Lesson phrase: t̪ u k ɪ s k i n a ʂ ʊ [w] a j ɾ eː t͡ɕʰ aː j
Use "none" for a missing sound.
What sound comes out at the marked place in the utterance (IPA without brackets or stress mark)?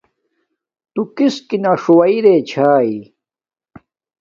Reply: w